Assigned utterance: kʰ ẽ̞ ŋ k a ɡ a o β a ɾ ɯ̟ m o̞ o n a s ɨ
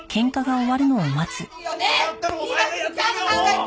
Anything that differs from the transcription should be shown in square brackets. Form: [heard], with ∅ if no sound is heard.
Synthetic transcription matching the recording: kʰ ẽ̞ ŋ k a ɡ a o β a ɾ ɯ̟ [n] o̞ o [m] a [t͡s] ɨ